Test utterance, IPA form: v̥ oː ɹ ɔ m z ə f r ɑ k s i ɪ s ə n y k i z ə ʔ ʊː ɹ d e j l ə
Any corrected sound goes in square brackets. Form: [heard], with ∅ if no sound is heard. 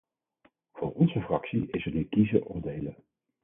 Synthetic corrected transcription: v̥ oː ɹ ɔ [n] z ə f r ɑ k s i ɪ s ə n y k i z ə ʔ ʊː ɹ d e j l ə